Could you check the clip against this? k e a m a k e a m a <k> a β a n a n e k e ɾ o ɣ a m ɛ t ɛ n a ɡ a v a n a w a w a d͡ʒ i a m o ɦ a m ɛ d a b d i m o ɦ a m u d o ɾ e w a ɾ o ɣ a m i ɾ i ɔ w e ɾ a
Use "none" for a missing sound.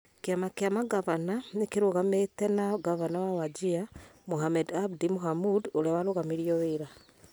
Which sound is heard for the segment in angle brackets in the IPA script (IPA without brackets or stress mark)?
ɡ